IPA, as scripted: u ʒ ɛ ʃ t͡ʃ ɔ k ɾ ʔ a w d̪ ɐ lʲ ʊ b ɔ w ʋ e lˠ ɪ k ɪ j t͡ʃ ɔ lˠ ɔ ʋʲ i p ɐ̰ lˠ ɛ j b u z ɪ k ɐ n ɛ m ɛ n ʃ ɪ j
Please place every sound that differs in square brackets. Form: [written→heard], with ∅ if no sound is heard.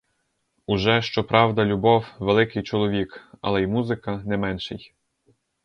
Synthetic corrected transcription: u ʒ ɛ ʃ t͡ʃ ɔ [k→p] ɾ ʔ [a→ɑ] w d̪ ɐ lʲ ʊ b ɔ w ʋ e lˠ ɪ k ɪ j t͡ʃ ɔ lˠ ɔ ʋʲ i [p→k] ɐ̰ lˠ ɛ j [b→m] u z ɪ k ɐ n ɛ m ɛ n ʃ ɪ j